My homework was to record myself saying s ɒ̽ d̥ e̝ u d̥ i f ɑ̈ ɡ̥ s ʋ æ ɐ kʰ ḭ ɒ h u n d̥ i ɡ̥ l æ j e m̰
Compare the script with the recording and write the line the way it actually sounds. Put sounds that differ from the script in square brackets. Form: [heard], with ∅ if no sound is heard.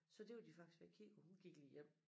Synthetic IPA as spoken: s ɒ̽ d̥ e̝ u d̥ i f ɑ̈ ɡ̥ s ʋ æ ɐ kʰ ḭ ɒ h u n [ɡ̥] i ɡ̥ l [i] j e m̰